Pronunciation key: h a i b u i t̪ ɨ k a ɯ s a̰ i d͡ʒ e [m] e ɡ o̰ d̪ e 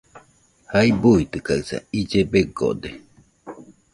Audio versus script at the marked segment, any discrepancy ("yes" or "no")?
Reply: yes